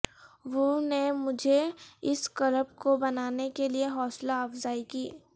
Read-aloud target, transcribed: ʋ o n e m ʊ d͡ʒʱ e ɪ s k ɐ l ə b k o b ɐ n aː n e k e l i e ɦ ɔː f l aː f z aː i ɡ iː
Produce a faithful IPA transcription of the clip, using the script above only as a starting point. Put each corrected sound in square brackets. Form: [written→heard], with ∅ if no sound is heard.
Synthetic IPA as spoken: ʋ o n e m ʊ d͡ʒʱ e ɪ s k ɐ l ə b k o b ɐ n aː n e k e l i e ɦ ɔː [f→s] l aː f z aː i [ɡ→k] iː